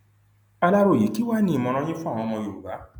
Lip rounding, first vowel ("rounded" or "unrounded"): unrounded